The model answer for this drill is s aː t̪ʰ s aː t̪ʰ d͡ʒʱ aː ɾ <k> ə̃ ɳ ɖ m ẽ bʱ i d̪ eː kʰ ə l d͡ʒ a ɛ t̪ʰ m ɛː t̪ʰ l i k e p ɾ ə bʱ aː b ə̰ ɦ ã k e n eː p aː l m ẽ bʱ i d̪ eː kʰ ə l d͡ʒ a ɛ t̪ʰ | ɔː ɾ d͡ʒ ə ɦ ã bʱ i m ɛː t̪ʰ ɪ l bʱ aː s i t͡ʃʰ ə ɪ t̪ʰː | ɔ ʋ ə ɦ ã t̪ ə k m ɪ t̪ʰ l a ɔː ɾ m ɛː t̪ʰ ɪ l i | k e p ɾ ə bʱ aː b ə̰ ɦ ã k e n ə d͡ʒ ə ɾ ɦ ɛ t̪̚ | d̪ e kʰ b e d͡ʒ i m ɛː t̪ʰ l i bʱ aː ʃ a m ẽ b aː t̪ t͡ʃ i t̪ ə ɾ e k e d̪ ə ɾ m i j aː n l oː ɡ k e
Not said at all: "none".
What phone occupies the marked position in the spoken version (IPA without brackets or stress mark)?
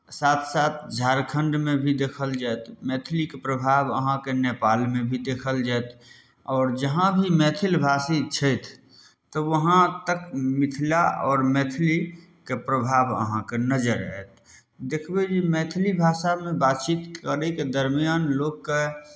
kʰ